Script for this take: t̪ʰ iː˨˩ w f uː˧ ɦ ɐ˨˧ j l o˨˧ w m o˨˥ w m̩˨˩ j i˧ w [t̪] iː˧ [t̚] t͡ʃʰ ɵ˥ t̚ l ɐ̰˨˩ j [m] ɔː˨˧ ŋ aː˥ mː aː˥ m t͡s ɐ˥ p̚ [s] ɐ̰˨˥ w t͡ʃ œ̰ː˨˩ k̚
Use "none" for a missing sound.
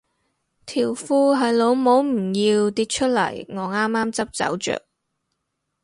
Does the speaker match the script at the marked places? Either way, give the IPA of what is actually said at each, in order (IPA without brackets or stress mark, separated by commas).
t̪, t̚, ŋ, t͡s